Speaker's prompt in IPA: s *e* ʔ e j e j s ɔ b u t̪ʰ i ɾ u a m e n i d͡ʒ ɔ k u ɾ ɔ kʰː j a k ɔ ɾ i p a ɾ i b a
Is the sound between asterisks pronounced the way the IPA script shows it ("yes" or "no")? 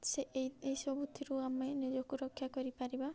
yes